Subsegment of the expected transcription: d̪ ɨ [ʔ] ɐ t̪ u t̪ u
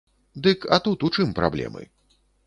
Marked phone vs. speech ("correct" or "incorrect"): incorrect